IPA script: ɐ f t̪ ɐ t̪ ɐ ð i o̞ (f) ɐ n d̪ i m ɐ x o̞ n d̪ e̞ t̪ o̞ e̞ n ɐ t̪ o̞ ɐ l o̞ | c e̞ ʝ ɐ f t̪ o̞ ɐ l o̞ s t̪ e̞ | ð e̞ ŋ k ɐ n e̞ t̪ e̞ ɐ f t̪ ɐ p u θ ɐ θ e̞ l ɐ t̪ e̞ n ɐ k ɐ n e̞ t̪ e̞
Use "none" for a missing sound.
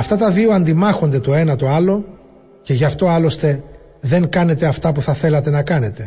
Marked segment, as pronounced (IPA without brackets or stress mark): none